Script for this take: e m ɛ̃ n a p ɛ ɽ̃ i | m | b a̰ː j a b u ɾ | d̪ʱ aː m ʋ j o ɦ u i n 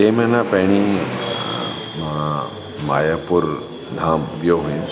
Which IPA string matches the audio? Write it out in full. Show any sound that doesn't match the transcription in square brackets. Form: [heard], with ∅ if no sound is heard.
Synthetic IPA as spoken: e m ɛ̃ n a p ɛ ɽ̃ i | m | [m] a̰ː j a [p] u ɾ | d̪ʱ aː m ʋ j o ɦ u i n